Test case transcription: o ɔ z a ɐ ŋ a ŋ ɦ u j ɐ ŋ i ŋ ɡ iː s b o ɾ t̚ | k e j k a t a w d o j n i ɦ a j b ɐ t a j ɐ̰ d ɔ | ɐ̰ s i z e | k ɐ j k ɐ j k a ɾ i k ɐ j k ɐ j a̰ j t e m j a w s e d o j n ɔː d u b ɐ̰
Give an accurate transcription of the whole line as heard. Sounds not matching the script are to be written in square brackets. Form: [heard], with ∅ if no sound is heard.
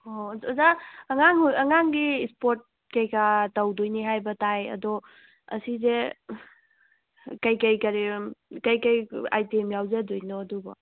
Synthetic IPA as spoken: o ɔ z a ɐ ŋ a ŋ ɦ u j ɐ ŋ [a] ŋ ɡ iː s [p] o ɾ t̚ | k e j k a t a w d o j n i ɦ a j b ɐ t a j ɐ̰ d ɔ | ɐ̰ s i z e | k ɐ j k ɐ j k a ɾ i k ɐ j k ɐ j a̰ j t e m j a w [z] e d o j n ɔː d u b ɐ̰